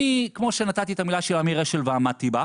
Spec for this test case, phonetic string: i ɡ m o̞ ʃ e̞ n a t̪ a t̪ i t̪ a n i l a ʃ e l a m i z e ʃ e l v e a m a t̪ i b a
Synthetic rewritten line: i k m o̞ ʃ e̞ n a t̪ a t̪ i t̪ a m i l a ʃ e l a m i ʁ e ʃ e l v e a m a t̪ i b a